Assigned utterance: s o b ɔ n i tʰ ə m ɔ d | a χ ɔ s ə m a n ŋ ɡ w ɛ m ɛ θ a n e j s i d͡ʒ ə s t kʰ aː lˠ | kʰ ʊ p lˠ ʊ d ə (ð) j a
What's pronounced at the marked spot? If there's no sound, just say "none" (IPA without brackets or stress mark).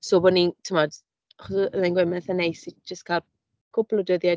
ð